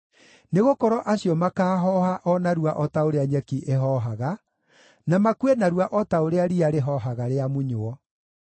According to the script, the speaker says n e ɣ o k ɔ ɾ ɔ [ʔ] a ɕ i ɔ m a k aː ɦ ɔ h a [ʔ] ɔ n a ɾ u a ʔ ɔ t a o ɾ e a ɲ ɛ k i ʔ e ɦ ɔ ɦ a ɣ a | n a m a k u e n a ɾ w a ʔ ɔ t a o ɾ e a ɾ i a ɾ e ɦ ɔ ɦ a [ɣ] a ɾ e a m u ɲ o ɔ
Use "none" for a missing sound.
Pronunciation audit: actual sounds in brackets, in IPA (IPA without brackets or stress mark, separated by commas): ʔ, ʔ, ɣ